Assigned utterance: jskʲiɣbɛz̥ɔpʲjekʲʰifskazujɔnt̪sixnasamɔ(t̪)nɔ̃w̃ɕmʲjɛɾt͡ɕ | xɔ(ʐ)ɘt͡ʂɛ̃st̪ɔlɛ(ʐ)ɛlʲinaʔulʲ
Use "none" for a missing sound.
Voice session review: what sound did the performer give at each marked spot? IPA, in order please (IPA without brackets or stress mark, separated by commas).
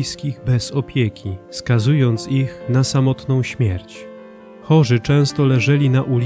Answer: t̪, ʐ, ʐ